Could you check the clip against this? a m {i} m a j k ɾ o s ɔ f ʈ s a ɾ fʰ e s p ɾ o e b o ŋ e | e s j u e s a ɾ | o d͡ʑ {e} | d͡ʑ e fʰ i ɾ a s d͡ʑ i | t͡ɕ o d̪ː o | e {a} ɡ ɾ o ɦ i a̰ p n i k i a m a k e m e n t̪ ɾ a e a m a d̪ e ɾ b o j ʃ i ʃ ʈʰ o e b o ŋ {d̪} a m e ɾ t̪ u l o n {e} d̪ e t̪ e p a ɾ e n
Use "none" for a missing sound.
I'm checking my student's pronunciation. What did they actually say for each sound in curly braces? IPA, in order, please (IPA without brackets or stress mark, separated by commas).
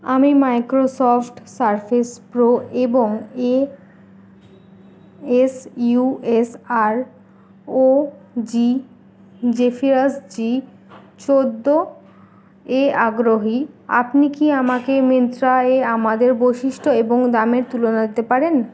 i, i, a, d̪, a